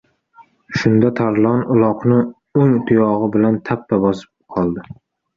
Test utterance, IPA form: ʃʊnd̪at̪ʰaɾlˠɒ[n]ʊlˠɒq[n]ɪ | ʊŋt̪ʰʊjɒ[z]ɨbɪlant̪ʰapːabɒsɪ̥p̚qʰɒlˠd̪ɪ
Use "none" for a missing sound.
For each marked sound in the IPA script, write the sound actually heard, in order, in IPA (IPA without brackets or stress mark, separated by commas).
n, n, ʁ